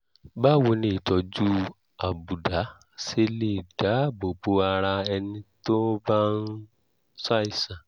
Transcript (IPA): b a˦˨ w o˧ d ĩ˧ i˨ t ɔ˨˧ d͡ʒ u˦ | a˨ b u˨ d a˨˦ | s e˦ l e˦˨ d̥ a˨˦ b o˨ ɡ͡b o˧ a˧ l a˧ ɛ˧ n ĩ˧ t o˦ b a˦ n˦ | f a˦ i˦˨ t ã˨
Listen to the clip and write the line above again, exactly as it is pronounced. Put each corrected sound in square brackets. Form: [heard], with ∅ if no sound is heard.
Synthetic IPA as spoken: b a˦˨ w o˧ [n] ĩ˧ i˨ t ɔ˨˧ d͡ʒ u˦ | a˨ b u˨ d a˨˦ | s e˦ l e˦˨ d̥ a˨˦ b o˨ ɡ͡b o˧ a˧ [ɾ] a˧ ɛ˧ n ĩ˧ t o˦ b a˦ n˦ | [s] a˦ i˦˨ [s] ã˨

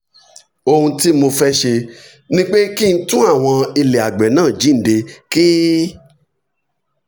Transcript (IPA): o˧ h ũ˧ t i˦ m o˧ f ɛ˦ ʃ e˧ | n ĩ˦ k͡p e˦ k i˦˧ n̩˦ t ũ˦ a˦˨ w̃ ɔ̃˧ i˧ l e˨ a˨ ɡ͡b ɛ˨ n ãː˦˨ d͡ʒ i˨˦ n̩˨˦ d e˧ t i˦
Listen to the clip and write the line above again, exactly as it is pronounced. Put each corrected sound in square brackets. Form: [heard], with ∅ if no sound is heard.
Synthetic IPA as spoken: o˧ h ũ˧ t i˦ m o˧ f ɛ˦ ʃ e˧ | n ĩ˦ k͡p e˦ k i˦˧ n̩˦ t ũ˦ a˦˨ w̃ ɔ̃˧ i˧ l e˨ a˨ ɡ͡b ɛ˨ n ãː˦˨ d͡ʒ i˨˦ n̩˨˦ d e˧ [k] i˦

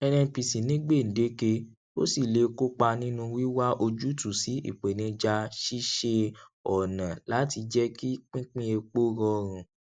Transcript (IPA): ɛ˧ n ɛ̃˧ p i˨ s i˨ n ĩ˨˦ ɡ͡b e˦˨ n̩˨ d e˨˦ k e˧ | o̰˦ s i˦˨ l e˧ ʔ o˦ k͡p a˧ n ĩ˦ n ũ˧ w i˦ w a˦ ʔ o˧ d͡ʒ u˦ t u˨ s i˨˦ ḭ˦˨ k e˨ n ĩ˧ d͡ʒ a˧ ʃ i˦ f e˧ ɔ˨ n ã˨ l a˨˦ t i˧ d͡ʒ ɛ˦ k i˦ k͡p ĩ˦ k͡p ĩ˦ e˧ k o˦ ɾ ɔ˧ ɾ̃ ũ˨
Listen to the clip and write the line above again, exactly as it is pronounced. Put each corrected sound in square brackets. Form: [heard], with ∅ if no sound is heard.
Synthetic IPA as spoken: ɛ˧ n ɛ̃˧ p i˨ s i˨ n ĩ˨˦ ɡ͡b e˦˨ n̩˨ d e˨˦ k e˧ | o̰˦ s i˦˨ l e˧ [k] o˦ k͡p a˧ n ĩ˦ n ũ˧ w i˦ w a˦ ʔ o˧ d͡ʒ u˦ t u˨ s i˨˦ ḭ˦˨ [k͡p] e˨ n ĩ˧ d͡ʒ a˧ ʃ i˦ [ʃ] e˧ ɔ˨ n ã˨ l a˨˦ t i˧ d͡ʒ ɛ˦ k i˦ k͡p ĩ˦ k͡p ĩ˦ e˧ [k͡p] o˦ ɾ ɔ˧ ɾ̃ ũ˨

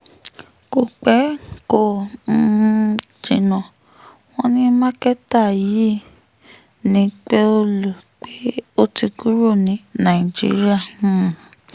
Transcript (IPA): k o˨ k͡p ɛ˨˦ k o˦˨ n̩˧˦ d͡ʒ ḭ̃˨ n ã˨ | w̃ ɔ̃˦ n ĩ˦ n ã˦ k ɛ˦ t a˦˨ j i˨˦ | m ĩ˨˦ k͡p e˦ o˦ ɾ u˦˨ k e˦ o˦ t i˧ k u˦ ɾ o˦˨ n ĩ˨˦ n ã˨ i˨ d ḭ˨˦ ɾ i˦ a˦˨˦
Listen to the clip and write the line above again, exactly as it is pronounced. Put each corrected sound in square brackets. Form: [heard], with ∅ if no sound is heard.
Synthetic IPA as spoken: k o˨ k͡p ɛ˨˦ k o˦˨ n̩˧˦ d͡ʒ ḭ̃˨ n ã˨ | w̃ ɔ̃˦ n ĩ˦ [m] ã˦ k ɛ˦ t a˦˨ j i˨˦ | [n] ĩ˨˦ k͡p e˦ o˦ [l] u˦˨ [k͡p] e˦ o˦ t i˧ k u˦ ɾ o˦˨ n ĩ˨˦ n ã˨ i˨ [d͡ʒ] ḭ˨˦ ɾ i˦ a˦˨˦

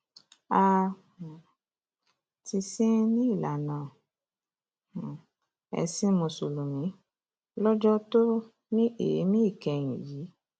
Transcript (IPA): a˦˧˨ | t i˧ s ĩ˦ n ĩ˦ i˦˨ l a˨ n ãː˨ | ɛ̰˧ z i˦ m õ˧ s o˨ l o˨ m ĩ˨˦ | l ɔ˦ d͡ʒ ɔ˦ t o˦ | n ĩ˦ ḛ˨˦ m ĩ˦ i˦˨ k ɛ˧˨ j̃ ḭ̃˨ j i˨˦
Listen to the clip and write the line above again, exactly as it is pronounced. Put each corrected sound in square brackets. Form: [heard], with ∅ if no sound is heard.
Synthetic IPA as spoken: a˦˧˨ | t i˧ s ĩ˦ n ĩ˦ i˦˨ l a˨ n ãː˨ | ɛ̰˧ [s] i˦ m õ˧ s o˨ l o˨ m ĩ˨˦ | l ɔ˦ d͡ʒ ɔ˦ t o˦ | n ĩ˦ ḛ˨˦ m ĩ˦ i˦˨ k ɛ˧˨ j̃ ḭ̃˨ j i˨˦

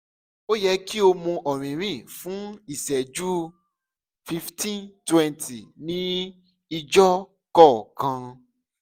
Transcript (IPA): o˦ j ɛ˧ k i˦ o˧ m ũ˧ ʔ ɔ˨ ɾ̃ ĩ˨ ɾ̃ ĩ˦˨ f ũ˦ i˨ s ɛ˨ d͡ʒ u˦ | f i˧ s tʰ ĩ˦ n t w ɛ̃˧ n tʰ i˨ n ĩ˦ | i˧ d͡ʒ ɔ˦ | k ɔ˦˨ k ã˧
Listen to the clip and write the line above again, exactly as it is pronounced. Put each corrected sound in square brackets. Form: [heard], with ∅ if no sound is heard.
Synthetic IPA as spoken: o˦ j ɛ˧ k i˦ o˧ m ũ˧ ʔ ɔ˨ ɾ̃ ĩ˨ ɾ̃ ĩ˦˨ f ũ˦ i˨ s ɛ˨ d͡ʒ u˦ | f i˧ [f] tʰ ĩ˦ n t w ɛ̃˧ n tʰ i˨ n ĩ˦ | i˧ d͡ʒ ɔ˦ | k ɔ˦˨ k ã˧

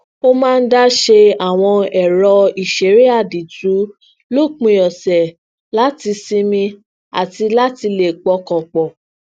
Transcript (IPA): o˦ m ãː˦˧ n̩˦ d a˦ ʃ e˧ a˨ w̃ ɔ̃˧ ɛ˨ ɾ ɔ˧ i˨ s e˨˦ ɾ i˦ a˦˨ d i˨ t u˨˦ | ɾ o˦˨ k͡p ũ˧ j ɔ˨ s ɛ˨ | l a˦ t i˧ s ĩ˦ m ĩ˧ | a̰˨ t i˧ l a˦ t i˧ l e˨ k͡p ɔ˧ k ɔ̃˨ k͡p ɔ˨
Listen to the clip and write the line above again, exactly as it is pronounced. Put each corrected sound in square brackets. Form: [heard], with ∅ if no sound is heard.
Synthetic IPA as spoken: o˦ m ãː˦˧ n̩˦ d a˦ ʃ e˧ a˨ w̃ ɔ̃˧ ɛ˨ ɾ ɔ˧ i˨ [ʃ] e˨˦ ɾ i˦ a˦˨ d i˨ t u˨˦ | [l] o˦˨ k͡p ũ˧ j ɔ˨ s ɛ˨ | l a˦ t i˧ s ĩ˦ m ĩ˧ | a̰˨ t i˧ l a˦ t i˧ l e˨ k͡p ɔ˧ k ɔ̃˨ k͡p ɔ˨

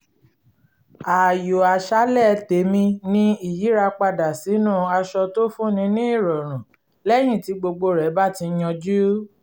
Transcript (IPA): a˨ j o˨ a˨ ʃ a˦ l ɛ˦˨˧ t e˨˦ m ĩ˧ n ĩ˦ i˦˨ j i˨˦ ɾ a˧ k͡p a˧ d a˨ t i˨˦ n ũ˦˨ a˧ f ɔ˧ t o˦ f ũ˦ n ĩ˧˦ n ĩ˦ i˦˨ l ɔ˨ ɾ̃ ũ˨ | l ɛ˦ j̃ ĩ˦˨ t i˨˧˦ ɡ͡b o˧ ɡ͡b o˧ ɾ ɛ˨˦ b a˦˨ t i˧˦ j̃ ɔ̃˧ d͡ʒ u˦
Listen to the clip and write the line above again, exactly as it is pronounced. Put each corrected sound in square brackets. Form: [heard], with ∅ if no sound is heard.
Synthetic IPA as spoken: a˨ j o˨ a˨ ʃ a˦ l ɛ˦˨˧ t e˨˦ m ĩ˧ n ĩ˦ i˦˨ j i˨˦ ɾ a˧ k͡p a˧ d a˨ [s] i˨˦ n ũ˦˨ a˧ [ʃ] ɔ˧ t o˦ f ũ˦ n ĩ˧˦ n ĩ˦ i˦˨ [ɾ] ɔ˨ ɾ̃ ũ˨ | l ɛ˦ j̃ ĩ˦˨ t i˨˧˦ ɡ͡b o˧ ɡ͡b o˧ ɾ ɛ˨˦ b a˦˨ t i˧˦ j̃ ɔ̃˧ d͡ʒ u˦

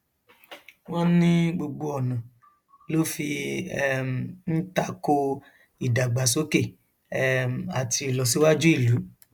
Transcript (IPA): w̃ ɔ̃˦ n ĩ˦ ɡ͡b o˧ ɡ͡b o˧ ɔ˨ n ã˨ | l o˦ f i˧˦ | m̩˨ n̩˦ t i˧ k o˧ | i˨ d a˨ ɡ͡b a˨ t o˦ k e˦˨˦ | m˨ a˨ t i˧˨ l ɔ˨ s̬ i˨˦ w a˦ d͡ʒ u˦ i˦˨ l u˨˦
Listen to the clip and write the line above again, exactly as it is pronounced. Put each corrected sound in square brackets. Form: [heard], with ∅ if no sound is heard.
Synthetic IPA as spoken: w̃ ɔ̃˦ n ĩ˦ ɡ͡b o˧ ɡ͡b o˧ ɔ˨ n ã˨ | l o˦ f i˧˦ | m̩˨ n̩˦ t [a˧] k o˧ | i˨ d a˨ ɡ͡b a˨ [s] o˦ k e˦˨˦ | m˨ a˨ t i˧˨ l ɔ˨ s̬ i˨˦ w a˦ d͡ʒ u˦ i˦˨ l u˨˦

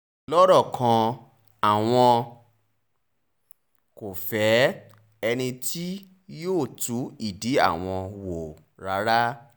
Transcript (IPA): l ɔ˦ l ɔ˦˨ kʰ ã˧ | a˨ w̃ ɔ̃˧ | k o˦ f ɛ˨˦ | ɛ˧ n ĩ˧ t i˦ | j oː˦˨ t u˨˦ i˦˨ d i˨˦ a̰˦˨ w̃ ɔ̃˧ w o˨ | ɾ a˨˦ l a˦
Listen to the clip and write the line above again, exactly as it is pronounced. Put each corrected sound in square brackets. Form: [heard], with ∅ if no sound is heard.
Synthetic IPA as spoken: l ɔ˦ [ɾ] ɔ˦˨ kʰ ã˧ | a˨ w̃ ɔ̃˧ | k [o˨] f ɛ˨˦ | ɛ˧ n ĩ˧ t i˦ | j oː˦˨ t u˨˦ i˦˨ d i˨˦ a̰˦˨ w̃ ɔ̃˧ w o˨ | ɾ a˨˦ [ɾ] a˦

